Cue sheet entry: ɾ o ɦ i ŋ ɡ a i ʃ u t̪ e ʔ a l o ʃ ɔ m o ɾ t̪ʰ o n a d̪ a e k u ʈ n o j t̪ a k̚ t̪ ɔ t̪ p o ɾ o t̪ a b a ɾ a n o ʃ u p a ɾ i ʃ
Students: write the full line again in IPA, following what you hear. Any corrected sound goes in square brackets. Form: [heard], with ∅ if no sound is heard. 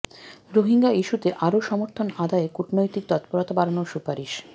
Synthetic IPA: ɾ o ɦ i ŋ ɡ a i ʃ u t̪ e ʔ a [ɾ] o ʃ ɔ m o ɾ t̪ʰ o n a d̪ a e k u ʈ n o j t̪ [i] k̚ t̪ ɔ t̪ p o ɾ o t̪ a b a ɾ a n o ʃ u p a ɾ i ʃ